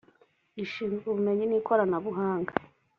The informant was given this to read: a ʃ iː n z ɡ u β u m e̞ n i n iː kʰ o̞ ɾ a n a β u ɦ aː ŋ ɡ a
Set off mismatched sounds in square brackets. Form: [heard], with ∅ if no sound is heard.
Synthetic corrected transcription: [i] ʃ iː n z ɡ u β u m e̞ [ɲ] i n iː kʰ o̞ ɾ a n a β u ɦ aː ŋ ɡ a